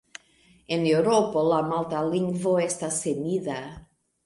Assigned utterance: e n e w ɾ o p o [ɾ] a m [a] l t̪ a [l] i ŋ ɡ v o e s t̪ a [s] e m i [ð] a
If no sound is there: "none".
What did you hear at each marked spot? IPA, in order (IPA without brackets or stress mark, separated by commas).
l, a, l, s, ð